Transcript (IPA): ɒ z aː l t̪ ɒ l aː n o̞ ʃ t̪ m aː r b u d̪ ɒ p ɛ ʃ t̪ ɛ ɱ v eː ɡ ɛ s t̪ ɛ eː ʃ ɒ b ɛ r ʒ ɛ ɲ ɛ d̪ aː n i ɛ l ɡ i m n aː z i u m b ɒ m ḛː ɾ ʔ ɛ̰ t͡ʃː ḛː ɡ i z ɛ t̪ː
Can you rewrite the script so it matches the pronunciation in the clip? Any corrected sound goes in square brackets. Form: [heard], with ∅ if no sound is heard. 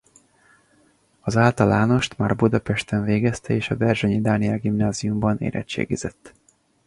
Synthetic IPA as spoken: ɒ z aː l t̪ ɒ l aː n o̞ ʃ t̪ m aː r b u d̪ ɒ p ɛ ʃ t̪ ɛ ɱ v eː ɡ ɛ s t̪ ɛ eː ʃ ɒ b ɛ r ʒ ɛ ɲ [i] d̪ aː n i ɛ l ɡ i m n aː z i u m b ɒ [n] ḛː ɾ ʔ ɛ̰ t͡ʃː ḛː ɡ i z ɛ t̪ː